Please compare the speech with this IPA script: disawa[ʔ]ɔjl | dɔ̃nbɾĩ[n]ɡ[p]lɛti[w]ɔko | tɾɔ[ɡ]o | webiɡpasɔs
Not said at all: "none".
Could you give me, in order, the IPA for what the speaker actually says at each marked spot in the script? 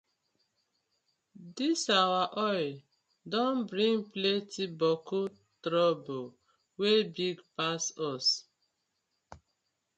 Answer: ʔ, ŋ, p, b, b

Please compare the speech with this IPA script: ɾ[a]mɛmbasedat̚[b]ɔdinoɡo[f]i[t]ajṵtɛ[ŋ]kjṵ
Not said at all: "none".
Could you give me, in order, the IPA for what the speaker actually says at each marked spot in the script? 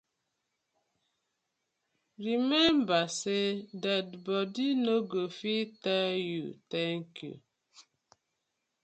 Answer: i, b, f, t, ŋ

